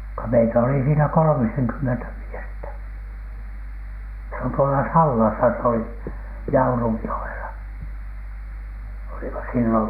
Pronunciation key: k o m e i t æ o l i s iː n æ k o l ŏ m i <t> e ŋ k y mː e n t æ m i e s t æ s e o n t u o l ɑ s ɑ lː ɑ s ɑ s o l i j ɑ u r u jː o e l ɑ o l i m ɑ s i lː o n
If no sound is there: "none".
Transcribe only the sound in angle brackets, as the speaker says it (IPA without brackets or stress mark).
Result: s